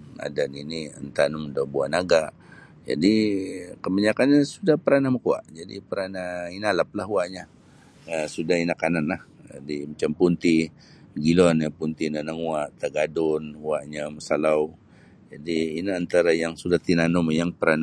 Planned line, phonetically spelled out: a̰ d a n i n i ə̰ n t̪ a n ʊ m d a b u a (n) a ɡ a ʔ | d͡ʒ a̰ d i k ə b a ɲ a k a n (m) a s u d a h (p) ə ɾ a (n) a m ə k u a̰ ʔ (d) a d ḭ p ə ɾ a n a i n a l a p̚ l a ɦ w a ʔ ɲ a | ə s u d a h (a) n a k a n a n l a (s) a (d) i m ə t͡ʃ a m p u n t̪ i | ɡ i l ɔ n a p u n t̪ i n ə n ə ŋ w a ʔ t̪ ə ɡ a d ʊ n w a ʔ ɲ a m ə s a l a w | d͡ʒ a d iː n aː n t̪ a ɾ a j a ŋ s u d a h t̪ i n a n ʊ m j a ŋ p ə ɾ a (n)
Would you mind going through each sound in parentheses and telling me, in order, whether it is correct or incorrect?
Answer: correct, incorrect: ɲ, correct, correct, incorrect: d͡ʒ, incorrect: i, incorrect: h, correct, correct

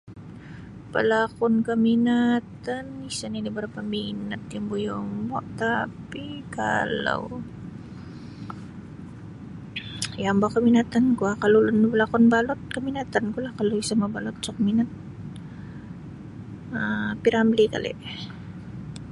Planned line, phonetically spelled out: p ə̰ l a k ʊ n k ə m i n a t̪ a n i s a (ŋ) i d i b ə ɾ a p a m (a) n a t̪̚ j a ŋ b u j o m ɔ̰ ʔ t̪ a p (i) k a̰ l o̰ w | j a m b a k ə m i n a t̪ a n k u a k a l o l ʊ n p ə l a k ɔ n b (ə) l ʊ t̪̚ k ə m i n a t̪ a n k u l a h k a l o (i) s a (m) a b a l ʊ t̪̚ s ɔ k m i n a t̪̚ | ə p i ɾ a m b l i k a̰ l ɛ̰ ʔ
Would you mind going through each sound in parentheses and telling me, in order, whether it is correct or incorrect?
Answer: incorrect: n, incorrect: i, correct, incorrect: a, correct, correct

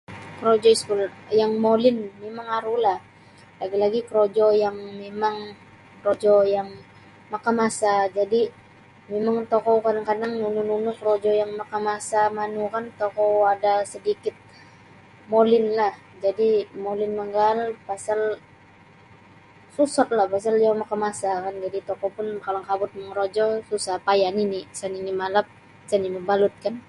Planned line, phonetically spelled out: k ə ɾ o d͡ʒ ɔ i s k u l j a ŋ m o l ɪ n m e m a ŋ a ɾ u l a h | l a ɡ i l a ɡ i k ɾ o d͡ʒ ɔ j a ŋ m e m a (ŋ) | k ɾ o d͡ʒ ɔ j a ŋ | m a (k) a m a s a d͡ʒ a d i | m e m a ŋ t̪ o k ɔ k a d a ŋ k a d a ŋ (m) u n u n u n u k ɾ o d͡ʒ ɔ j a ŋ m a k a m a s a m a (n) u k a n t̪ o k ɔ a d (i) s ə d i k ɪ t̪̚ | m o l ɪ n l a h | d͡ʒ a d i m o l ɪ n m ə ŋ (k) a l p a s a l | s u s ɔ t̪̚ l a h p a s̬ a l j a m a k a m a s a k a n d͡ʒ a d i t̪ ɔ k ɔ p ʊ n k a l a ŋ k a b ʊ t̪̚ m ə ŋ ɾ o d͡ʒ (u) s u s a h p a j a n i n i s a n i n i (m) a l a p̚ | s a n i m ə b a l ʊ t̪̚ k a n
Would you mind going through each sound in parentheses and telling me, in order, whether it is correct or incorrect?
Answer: correct, correct, incorrect: n, correct, incorrect: a, incorrect: ɡ, incorrect: ɔ, correct

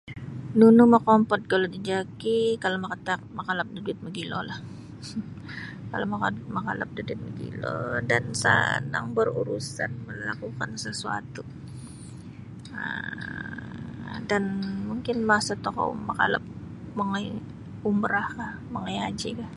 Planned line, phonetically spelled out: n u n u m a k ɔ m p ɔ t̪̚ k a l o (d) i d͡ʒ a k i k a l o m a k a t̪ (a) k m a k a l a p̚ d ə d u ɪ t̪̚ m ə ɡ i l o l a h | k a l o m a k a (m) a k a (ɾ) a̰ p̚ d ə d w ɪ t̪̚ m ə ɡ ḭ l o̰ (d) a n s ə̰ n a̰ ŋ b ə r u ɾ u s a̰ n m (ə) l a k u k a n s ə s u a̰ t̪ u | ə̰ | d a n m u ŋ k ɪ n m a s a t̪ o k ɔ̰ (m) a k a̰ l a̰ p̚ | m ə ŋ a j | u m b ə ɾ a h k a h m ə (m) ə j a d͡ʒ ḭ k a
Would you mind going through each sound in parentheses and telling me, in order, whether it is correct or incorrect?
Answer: correct, correct, correct, incorrect: l, correct, correct, correct, incorrect: ŋ

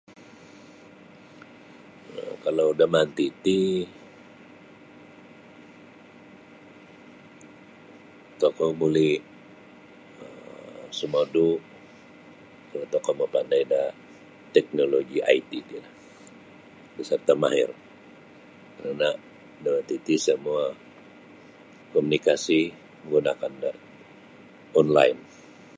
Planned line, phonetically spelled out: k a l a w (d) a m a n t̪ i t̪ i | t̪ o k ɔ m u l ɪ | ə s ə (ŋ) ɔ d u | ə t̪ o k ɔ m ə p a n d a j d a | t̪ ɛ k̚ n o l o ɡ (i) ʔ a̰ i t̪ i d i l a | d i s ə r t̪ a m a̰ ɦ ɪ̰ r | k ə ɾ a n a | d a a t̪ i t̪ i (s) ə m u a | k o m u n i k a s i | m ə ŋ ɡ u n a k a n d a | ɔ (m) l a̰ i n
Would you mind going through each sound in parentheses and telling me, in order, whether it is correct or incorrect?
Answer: correct, incorrect: m, correct, correct, incorrect: n

